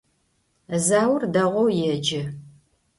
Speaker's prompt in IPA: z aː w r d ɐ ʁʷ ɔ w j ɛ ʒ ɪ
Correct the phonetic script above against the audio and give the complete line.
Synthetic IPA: z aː w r d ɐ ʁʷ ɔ w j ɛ d͡ʒ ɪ